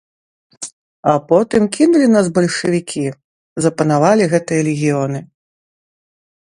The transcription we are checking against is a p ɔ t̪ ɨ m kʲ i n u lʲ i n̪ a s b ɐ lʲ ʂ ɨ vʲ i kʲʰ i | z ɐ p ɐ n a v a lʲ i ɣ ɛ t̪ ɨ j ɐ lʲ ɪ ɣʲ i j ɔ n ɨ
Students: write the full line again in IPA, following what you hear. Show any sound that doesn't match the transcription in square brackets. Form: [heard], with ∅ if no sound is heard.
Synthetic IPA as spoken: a p ɔ t̪ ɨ m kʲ i n u lʲ i n̪ a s b ɐ lʲ ʂ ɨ vʲ i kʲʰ i | z ɐ p ɐ n a v a lʲ i ɣ ɛ t̪ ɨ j ɐ lʲ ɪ ɣʲ i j ɔ n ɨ